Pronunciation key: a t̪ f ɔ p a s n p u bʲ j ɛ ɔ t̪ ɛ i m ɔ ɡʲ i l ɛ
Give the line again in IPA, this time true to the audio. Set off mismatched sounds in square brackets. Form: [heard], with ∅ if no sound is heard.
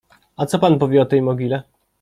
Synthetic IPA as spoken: a t̪ [s] ɔ p a [∅] n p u [vʲ] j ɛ ɔ t̪ ɛ [j] m ɔ ɡʲ i l ɛ